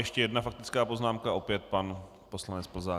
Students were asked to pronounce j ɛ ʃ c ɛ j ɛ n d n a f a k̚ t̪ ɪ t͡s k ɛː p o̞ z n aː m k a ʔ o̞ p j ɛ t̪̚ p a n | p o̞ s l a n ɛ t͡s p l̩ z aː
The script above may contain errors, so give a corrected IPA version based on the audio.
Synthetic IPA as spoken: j ɛ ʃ c ɛ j ɛ d n a f a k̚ t̪ ɪ t͡s k aː p o̞ z n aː m k a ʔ o̞ p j ɛ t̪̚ p a n | p o̞ s l a n ɛ t͡s p l̩ z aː